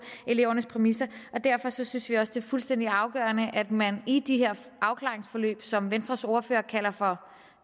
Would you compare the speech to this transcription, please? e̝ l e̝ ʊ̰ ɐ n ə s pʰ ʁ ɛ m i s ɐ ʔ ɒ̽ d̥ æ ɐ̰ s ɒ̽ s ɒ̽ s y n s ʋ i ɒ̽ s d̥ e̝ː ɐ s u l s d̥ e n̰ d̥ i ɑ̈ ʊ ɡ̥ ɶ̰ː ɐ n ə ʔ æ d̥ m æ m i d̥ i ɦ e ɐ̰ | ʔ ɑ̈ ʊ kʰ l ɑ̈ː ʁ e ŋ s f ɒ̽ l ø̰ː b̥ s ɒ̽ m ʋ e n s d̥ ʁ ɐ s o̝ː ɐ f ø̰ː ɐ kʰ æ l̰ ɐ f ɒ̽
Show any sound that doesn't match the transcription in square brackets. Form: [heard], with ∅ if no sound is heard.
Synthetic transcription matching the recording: e̝ l e̝ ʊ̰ ɐ n ə s pʰ ʁ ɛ m i s ɐ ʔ ɒ̽ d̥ æ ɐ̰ [f] ɒ̽ s ɒ̽ s y n s ʋ i ɒ̽ s d̥ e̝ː ɐ [f] u l s d̥ e n̰ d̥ i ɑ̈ ʊ ɡ̥ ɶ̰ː ɐ n ə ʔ æ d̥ m æ [n] i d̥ i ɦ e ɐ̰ | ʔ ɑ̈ ʊ kʰ l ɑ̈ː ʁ e ŋ s f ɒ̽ l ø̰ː b̥ s ɒ̽ m ʋ e n s d̥ ʁ ɐ s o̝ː ɐ f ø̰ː ɐ kʰ æ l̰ ɐ f ɒ̽

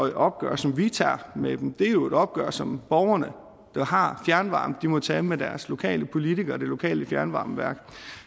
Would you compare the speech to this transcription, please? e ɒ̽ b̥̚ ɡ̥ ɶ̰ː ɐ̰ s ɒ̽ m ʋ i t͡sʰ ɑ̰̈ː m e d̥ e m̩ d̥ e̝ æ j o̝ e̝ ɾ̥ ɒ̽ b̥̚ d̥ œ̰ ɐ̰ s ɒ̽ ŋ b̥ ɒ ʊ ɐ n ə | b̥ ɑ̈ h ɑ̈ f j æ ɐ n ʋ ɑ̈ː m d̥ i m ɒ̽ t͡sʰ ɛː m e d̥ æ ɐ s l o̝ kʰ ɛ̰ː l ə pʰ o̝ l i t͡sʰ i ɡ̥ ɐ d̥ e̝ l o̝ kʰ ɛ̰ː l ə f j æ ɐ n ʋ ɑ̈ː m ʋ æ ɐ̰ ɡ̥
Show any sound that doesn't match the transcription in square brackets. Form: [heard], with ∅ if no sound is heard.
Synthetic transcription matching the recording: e ɒ̽ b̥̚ ɡ̥ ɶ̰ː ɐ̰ s ɒ̽ m ʋ i t͡sʰ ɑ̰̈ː m e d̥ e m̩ d̥ e̝ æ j o̝ e̝ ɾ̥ ɒ̽ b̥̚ [ɡ̥] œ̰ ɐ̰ s ɒ̽ [m] b̥ ɒ ʊ ɐ n ə | [d̥] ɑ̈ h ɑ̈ f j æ ɐ n ʋ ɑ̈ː m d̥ i m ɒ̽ t͡sʰ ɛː m e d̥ æ ɐ s l o̝ kʰ ɛ̰ː l ə pʰ o̝ l i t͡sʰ i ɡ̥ ɐ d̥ e̝ l o̝ kʰ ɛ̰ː l ə f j æ ɐ n ʋ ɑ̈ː m ʋ æ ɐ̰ ɡ̥

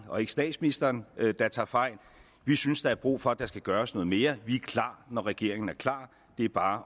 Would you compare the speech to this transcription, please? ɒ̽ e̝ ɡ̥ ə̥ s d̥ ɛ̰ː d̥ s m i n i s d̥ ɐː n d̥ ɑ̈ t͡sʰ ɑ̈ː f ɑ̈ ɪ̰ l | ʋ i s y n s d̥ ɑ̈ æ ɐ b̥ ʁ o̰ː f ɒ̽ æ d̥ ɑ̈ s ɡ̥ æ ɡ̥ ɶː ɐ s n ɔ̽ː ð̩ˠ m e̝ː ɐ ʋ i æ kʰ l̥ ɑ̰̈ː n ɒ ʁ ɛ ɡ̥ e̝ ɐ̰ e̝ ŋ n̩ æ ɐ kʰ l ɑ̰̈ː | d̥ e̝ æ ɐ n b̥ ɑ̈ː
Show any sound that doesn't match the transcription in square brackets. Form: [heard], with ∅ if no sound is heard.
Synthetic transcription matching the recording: ɒ̽ e̝ ɡ̥ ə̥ s d̥ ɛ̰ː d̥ s m i n i s d̥ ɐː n d̥ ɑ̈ t͡sʰ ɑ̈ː f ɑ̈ ɪ̰ l | ʋ i s y n s d̥ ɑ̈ æ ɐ b̥ ʁ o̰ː f ɒ̽ æ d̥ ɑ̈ s ɡ̥ æ ɡ̥ ɶː ɐ s n ɔ̽ː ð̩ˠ m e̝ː ɐ ʋ i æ kʰ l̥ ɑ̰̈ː n ɒ ʁ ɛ ɡ̥ e̝ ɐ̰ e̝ ŋ n̩ æ ɐ kʰ l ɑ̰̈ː | d̥ e̝ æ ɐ [∅] b̥ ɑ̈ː

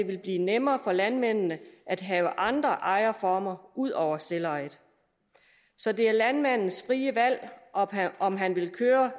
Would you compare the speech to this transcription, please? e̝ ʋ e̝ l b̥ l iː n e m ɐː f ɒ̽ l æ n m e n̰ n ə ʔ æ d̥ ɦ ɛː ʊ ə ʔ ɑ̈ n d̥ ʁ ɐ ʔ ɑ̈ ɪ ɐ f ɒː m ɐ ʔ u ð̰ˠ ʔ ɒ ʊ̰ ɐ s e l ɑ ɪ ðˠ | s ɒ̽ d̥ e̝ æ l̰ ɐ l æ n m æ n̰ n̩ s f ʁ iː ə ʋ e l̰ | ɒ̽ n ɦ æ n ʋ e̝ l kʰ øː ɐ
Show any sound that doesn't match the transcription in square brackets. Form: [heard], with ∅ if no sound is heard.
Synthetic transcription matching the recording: e̝ ʋ e̝ l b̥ l iː n e m ɐː f ɒ̽ l æ n m e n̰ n ə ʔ æ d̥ ɦ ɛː ʊ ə ʔ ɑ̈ n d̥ ʁ ɐ ʔ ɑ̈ ɪ ɐ f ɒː m ɐ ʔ u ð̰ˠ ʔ ɒ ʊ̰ ɐ s e l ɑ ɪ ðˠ | s ɒ̽ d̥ e̝ æ [∅] ɐ l æ n m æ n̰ n̩ s f ʁ iː ə ʋ [æ] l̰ | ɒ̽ [m] ɦ æ n ʋ e̝ l kʰ øː ɐ

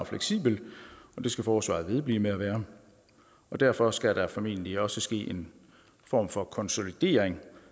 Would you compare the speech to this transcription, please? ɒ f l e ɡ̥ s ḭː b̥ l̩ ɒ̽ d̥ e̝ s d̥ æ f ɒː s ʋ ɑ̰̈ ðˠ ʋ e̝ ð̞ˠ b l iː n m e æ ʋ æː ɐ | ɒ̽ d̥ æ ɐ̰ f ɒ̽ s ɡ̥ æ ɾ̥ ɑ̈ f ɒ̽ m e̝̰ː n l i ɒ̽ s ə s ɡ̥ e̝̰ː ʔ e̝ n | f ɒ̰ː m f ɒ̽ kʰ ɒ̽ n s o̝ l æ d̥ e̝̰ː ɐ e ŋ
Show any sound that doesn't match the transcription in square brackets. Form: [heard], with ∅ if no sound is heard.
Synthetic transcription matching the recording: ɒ f l e ɡ̥ s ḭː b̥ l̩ ɒ̽ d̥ e̝ s [ɡ̥] æ f ɒː s ʋ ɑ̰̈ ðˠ ʋ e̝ ð̞ˠ b l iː [∅] m e æ ʋ æː ɐ | ɒ̽ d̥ æ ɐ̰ f ɒ̽ s ɡ̥ æ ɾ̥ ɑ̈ f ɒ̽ m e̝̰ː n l i ɒ̽ s ə s ɡ̥ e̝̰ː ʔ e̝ n | f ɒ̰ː m f ɒ̽ kʰ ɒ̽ n s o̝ l [i] d̥ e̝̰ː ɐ e ŋ

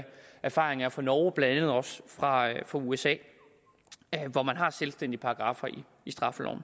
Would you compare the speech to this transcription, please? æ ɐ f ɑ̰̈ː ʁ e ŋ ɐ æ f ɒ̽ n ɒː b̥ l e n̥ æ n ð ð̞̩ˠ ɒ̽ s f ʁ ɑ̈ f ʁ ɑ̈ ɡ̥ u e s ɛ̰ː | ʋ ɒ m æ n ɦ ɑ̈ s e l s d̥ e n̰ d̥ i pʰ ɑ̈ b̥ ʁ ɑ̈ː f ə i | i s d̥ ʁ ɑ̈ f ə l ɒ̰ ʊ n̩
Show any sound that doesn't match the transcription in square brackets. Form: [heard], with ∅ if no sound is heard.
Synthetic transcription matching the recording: æ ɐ f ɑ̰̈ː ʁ e ŋ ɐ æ f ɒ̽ n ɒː b̥ l [æ] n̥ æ n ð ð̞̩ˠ ɒ̽ s f ʁ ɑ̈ f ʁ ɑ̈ [∅] u e s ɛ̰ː | ʋ ɒ m æ n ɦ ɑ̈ s e l s d̥ e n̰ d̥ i pʰ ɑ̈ [ɡ̥] ʁ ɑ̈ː f [ɐ] i | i s d̥ ʁ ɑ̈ f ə l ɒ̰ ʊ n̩

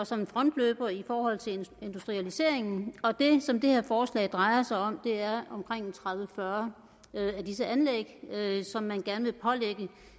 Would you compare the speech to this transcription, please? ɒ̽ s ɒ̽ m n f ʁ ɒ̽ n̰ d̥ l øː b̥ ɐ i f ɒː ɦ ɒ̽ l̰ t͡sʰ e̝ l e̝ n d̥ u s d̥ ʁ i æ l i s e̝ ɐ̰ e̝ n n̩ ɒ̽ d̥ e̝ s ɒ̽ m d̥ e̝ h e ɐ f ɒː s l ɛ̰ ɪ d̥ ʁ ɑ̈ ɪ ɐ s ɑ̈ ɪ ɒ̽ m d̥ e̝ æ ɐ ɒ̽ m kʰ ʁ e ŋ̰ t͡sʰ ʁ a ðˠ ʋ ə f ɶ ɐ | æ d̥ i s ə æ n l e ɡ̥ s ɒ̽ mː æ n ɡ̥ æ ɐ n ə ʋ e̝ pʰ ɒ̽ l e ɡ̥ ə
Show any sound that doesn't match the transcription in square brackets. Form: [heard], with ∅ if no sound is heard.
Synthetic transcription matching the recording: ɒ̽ s ɒ̽ m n f ʁ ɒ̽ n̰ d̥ l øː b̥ ɐ i f ɒː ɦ ɒ̽ l̰ t͡sʰ e̝ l e̝ n d̥ u s d̥ ʁ i æ l i s e̝ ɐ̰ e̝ [ŋ] n̩ ɒ̽ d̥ e̝ s ɒ̽ m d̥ e̝ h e ɐ f ɒː s l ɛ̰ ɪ d̥ ʁ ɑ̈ ɪ ɐ s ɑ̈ ɪ ɒ̽ m d̥ e̝ æ ɐ ɒ̽ m kʰ ʁ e ŋ̰ t͡sʰ ʁ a ðˠ ʋ ə f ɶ ɐ | æ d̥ i s ə æ n l e ɡ̥ s ɒ̽ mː æ n ɡ̥ æ ɐ n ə ʋ e̝ pʰ ɒ̽ l e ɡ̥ ə

